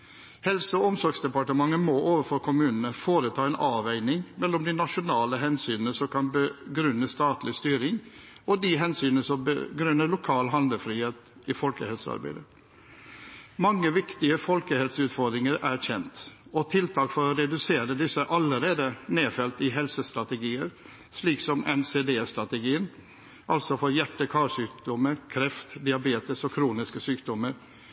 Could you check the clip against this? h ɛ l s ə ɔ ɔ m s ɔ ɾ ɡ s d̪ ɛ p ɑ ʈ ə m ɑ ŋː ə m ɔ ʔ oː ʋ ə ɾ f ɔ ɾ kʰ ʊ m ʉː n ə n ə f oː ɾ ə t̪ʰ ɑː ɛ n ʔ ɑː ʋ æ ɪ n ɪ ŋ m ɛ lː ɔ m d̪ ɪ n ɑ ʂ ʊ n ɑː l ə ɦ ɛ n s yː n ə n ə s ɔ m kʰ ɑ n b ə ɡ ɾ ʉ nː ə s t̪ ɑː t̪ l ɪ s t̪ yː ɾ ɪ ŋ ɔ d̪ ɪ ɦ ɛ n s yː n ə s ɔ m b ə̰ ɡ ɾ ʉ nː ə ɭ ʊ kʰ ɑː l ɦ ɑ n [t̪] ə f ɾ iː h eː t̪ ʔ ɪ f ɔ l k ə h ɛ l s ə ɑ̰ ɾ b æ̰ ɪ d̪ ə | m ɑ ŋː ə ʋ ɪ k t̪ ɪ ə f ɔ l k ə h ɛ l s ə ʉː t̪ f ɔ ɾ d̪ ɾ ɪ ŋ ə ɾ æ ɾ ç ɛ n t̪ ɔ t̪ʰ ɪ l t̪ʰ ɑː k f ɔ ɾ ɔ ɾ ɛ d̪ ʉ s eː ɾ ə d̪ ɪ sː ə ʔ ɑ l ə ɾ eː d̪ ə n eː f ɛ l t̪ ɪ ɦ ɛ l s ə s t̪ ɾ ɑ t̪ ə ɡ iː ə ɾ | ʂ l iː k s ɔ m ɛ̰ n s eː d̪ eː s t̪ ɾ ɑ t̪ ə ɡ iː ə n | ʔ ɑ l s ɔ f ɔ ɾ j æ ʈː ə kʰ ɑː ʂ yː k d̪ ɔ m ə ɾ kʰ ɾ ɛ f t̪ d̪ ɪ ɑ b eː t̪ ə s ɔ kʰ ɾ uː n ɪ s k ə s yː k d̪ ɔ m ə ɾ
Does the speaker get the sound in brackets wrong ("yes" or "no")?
yes